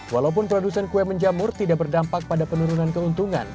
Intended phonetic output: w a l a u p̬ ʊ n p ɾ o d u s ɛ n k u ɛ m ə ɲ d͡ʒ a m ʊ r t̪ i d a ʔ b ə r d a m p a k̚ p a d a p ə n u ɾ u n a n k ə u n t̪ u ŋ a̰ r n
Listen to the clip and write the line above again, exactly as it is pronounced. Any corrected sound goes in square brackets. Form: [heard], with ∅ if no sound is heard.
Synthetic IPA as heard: w a l a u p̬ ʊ n p ɾ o d u s ɛ n k u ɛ m ə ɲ d͡ʒ a m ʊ r t̪ i d a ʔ b ə r d a m p a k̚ p a d a p ə n u ɾ u n a n k ə u n t̪ u ŋ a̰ [∅] n